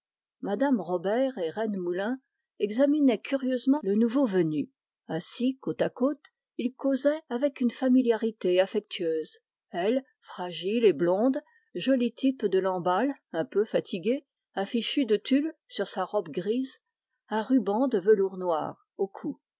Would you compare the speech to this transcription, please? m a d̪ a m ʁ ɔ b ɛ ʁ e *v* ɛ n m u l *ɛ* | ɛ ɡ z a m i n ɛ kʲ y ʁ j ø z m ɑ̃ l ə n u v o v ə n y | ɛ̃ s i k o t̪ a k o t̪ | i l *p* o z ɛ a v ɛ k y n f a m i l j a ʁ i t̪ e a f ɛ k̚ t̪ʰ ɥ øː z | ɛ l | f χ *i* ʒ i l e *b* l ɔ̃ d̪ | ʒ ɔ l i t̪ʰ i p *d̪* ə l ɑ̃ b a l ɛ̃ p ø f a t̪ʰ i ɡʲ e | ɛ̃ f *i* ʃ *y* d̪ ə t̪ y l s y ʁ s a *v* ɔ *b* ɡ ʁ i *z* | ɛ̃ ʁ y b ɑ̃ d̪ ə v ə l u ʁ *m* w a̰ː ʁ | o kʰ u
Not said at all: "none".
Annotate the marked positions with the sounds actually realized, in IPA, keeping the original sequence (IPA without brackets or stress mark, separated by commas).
ʁ, ɛ̃, k, a, b, d̪, i, y, ʁ, b, z, n